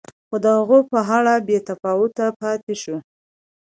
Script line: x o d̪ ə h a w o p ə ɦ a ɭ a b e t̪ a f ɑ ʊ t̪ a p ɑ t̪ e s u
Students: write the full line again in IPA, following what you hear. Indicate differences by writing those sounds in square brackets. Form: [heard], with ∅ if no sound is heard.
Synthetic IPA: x o d̪ ə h a [ɣ] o p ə ɦ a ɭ a b e t̪ a f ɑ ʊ t̪ a p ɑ t̪ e [ʃ] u

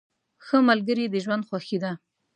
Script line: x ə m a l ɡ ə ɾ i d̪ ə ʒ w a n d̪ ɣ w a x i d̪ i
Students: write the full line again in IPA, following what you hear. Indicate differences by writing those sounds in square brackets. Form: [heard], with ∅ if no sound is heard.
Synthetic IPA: x ə m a l ɡ ə ɾ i d̪ ə ʒ w a n d̪ [x] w a x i d̪ [a]

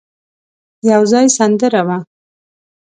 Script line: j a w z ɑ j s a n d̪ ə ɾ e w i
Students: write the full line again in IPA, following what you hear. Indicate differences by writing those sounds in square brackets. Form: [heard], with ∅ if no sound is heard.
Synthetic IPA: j a w z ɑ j s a n d̪ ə ɾ [a] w [a]

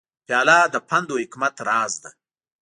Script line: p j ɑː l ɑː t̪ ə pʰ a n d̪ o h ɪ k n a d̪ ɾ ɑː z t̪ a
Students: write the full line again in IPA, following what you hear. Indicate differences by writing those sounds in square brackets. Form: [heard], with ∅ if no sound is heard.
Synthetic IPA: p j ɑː l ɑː [d̪] ə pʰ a n d̪ o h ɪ k [m] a [t̪] ɾ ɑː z [d̪] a

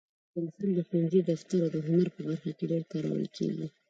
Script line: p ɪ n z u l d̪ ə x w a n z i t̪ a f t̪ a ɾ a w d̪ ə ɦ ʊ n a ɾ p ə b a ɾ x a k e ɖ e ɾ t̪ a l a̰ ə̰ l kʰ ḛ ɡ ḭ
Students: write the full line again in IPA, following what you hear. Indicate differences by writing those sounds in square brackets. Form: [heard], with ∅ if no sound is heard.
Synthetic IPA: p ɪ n [s] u l d̪ ə x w a n z i [d̪] a f t̪ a ɾ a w d̪ ə ɦ ʊ n a ɾ p ə b a ɾ x a k e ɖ e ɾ t̪ a [ɾ] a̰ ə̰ l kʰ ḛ ɡ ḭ

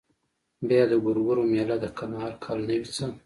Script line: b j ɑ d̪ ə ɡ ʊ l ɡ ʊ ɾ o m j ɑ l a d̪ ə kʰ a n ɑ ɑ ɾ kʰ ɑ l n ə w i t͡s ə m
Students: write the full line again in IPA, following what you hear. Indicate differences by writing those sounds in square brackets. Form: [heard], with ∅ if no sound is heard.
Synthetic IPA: b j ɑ d̪ ə ɡ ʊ [ɾ] ɡ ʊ ɾ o m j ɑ l a d̪ ə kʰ a n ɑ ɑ ɾ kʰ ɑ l n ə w i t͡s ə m

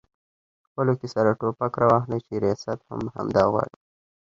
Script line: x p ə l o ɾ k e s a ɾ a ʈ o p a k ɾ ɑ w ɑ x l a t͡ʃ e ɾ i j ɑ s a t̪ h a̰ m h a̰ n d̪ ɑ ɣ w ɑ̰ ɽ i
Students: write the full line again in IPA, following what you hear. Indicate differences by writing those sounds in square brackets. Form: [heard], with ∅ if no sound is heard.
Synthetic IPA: x p ə l o [∅] k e s a ɾ a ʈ o p a k ɾ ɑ w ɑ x l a t͡ʃ e ɾ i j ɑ s a t̪ h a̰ m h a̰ [m] d̪ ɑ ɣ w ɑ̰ ɽ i

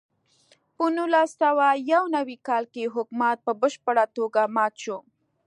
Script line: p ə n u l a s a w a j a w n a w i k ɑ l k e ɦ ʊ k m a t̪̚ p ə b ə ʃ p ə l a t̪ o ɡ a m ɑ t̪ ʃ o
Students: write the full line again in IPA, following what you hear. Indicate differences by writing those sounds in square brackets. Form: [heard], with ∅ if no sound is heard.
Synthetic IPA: p ə n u l a s a w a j a w n a w i k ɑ l k e ɦ ʊ k m a t̪̚ p ə b ə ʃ p ə [ɽ] a t̪ o ɡ a m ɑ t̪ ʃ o

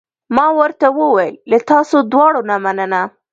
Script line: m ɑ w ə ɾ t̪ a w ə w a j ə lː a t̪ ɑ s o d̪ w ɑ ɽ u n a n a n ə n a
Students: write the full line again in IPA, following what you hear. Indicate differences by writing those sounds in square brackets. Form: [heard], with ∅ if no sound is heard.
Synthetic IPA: m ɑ w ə ɾ t̪ a w ə w a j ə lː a t̪ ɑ s o d̪ w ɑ ɽ [o] n a [m] a n ə n a

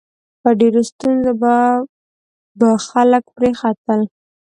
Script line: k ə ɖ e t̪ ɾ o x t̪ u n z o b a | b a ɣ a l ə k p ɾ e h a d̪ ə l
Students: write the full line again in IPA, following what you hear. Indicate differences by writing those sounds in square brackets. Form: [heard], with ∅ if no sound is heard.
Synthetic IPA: [p] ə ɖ e [∅] ɾ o [s] t̪ u n z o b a | b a [x] a l ə k p ɾ e [x] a [t̪] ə l

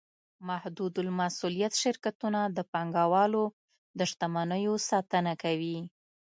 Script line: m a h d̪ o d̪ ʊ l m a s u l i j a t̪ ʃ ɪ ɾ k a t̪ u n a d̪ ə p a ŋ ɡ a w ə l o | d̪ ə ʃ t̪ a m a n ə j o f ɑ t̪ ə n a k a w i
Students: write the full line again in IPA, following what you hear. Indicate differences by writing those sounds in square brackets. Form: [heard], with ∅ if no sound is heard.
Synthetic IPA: m a h d̪ [u] d̪ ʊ l m a s u l i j a t̪ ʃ ɪ ɾ k a t̪ u n a d̪ ə p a ŋ ɡ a w [ɑ] l o | d̪ ə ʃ t̪ a m a n ə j o [s] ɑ t̪ ə n a k a w i

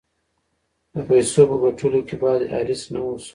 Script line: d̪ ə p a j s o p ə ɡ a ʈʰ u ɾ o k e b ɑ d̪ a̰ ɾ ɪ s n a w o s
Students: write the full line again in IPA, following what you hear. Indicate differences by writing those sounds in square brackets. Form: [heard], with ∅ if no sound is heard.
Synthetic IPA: d̪ ə p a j s o p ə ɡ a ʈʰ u [l] o k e b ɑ d̪ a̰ ɾ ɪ s n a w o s

